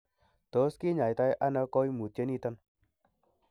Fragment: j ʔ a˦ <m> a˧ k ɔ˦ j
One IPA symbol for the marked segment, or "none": n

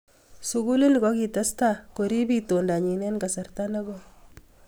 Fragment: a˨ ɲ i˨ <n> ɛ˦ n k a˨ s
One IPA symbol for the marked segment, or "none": n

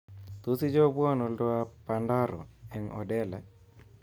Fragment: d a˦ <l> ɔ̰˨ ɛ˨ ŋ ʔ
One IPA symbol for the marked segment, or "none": ɾ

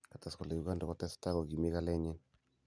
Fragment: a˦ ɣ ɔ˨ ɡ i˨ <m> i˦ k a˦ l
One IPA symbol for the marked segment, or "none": m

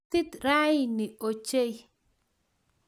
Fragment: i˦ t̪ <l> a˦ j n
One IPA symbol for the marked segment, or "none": ɾ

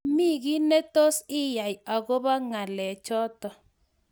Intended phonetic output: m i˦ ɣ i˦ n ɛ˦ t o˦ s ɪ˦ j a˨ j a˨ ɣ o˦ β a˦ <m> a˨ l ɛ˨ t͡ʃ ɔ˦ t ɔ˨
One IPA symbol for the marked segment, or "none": ŋ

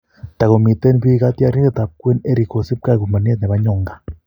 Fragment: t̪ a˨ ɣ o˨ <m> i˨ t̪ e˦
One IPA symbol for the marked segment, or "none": m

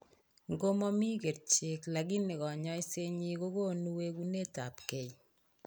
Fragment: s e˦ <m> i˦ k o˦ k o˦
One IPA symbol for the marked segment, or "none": ɲ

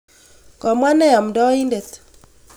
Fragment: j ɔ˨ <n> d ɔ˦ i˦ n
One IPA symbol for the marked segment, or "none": m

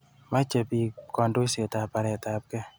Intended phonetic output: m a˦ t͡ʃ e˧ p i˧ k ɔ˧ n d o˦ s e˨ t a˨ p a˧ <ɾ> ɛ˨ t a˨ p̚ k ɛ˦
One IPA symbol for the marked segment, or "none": ɾ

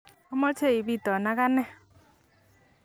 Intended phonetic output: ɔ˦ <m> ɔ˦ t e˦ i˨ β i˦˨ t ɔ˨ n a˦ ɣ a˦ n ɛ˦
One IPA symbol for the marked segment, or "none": m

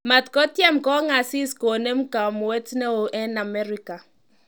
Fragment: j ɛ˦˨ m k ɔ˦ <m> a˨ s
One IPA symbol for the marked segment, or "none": ŋ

